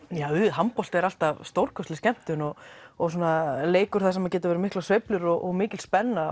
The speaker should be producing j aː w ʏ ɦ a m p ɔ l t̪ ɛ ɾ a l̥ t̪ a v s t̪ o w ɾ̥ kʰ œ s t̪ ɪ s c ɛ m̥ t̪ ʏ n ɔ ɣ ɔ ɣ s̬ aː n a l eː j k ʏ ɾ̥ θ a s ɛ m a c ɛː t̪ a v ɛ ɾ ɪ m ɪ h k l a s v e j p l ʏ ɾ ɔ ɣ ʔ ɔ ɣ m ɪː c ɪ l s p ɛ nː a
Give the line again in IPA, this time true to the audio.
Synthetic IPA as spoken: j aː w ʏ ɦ a m p ɔ l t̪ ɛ ɾ a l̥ t̪ a v s t̪ o w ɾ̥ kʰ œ s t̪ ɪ s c ɛ m̥ t̪ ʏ n ɔ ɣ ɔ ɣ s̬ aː n a l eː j k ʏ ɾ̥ θ a s ɛ m a c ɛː t̪ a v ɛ ɾ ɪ m ɪ h k l a s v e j p l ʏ ɾ ɔ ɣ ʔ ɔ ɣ m ɪː c ɪ l s p ɛ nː a